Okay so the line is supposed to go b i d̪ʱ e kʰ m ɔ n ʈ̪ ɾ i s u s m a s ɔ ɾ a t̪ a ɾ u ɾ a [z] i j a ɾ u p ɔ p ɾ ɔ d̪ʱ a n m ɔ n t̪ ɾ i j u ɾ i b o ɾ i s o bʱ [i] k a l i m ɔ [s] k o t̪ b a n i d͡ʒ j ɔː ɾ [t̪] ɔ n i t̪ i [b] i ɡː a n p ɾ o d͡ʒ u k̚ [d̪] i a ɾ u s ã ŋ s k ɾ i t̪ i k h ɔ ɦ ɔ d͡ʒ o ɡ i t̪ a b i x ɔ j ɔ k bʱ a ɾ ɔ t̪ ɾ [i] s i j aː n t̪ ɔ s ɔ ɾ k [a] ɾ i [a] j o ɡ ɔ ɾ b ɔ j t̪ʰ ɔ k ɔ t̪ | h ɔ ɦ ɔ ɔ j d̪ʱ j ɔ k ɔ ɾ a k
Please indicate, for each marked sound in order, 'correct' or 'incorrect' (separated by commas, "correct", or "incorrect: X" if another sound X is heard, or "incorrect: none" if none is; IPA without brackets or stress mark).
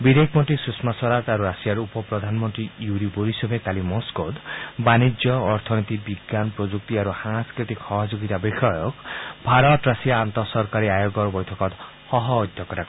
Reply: incorrect: s, incorrect: e, correct, incorrect: t̪ʰ, correct, incorrect: t̪, incorrect: a, correct, correct